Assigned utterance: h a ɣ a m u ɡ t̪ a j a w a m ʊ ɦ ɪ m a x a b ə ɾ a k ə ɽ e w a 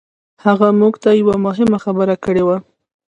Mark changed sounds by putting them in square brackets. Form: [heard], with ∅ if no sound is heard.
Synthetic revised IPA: h a ɣ a m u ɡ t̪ a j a w a m ʊ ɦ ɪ m a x a b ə ɾ a k ə ɽ e w a